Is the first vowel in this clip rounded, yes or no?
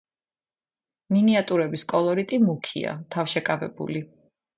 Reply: no